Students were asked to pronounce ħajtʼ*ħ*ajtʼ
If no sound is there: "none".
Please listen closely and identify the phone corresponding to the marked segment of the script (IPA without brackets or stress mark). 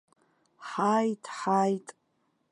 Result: ħ